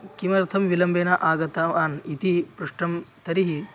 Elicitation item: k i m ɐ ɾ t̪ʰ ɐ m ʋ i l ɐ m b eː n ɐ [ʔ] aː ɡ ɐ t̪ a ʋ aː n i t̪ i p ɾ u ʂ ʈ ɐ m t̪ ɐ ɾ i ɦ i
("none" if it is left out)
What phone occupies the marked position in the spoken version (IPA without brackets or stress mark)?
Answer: ʔ